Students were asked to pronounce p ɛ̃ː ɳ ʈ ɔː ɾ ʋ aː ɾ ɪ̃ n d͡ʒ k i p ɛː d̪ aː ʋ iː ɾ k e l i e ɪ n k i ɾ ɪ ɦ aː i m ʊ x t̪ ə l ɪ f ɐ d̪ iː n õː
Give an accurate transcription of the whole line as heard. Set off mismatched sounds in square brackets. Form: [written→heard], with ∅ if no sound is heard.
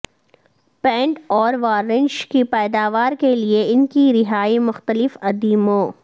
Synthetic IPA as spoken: p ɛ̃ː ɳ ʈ ɔː ɾ ʋ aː ɾ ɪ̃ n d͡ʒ k i p ɛː d̪ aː ʋ [iː→aː] ɾ k e l i e ɪ n k i ɾ ɪ ɦ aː i m ʊ x t̪ ə l ɪ f ɐ d̪ iː [n→m] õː